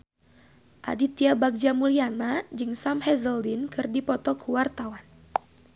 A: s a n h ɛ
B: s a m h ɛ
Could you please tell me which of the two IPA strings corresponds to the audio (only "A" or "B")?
B